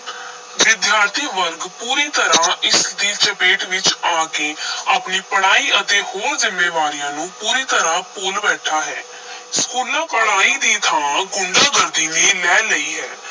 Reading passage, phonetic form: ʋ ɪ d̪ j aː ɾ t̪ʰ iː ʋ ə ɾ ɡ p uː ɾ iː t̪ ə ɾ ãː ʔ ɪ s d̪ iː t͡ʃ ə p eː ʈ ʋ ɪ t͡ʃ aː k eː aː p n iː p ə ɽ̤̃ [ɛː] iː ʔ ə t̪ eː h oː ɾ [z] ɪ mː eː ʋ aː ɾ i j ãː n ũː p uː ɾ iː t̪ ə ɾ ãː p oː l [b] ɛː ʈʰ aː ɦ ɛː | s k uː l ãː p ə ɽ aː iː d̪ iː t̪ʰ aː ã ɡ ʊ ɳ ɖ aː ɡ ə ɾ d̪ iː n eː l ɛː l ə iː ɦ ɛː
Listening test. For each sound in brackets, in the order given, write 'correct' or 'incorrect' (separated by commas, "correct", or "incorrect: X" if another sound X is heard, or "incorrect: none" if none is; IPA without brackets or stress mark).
incorrect: aː, correct, correct